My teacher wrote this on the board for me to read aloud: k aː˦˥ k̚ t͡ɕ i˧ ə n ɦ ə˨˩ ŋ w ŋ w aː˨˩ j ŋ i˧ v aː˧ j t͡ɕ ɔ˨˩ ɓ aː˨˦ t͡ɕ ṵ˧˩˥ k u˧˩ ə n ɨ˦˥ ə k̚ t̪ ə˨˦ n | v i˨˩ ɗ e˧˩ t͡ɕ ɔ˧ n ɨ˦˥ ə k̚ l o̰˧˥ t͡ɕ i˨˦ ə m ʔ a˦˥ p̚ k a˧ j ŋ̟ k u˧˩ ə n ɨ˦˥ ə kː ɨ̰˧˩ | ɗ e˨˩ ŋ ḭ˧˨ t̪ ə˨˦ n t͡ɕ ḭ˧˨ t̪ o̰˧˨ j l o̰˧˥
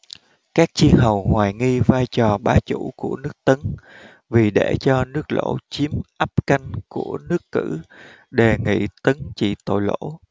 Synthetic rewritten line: k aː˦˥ k̚ t͡ɕ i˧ ə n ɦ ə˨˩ w ŋ w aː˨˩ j ŋ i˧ v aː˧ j t͡ɕ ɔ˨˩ ɓ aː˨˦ t͡ɕ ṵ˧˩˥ k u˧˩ ə n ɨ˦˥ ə k̚ t̪ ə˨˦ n | v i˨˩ ɗ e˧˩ t͡ɕ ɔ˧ n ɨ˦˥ ə k̚ l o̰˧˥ t͡ɕ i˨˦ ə m ʔ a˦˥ p̚ k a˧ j ŋ̟ k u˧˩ ə n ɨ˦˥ ə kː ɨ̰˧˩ | ɗ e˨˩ ŋ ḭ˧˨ t̪ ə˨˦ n t͡ɕ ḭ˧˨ t̪ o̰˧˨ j l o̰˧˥